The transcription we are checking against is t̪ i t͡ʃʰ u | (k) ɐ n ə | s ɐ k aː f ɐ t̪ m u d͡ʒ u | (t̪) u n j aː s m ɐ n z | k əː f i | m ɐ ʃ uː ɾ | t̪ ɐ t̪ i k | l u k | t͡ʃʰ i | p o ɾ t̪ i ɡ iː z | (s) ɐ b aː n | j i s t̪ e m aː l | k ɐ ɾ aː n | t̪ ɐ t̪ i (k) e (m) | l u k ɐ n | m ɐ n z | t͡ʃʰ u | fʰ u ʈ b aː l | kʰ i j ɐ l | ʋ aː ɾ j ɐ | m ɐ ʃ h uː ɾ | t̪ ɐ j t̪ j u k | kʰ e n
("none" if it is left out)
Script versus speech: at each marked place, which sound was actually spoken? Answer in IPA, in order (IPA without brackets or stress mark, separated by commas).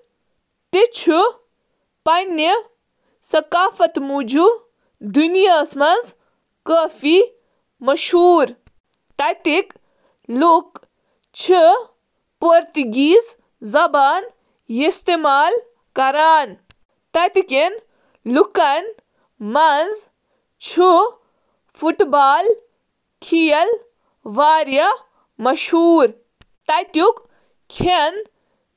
p, d̪, z, k, n